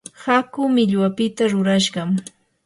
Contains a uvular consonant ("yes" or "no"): yes